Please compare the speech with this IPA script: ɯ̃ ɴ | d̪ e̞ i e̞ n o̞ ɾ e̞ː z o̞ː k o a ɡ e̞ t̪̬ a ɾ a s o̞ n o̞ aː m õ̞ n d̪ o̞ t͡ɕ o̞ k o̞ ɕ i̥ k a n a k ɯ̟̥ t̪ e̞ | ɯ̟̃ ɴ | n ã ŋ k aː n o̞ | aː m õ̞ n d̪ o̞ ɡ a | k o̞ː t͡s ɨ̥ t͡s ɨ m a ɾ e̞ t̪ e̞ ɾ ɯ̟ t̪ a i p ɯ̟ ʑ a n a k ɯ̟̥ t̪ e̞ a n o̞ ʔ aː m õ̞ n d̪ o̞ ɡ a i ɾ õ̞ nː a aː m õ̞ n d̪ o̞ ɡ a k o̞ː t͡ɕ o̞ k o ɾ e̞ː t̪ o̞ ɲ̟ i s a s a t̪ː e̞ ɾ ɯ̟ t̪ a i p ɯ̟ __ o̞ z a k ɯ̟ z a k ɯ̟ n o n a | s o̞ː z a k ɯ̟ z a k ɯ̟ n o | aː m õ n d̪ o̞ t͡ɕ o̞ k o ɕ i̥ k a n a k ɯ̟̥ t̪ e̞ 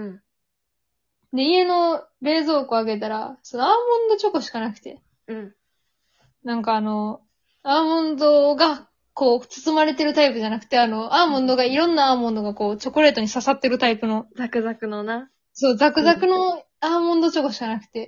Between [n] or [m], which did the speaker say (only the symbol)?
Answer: n